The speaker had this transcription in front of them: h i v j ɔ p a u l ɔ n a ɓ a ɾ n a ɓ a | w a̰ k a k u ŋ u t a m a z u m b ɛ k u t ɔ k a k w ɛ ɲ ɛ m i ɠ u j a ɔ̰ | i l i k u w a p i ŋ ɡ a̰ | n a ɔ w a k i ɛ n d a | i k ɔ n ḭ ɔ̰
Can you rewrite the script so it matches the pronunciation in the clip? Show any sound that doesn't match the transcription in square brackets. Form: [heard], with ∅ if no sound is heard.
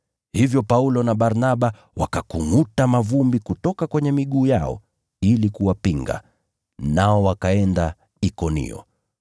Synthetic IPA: h i v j ɔ p a u l ɔ n a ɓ a ɾ n a ɓ a | w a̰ k a k u ŋ u t a m a [v] u m b [i] k u t ɔ k a k w ɛ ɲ ɛ m i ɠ [uː] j a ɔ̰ | i l i k u w a p i ŋ ɡ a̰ | n a ɔ w a k [a] ɛ n d a | i k ɔ n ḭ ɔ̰